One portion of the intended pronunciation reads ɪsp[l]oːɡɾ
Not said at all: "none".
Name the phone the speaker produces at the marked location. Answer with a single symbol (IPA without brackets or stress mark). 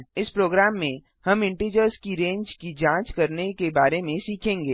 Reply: ɾ